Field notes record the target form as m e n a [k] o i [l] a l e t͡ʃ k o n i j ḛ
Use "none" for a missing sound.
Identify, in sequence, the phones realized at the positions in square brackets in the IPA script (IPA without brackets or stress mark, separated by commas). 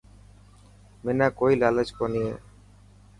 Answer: k, l